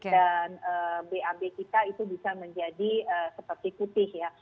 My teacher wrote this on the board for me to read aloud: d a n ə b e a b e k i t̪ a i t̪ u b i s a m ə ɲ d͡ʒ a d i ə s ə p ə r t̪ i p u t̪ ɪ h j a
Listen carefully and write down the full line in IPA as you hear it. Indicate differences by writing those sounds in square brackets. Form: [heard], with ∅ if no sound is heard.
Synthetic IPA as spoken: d a n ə b e a b e k i t̪ a i t̪ u b i s a m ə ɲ d͡ʒ a d i ə s ə p ə r t̪ i p u t̪ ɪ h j a